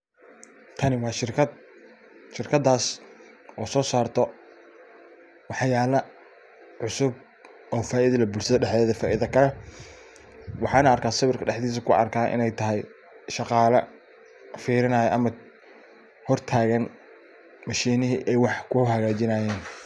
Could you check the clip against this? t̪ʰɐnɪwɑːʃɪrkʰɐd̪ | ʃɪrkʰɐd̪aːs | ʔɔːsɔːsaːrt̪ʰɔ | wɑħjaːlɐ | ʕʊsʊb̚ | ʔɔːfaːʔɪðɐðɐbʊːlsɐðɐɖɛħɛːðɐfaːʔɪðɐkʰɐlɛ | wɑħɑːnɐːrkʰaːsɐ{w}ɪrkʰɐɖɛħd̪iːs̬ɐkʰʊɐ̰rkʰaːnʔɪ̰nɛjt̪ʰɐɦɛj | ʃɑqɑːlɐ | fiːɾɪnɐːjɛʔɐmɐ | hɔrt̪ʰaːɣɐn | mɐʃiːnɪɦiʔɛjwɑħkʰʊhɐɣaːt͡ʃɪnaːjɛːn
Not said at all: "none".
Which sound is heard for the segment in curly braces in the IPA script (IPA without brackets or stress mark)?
β